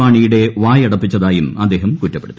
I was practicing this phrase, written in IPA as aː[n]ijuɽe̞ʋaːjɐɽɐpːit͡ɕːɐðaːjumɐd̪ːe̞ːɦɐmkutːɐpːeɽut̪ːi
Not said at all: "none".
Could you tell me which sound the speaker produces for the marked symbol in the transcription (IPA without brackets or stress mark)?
ɳ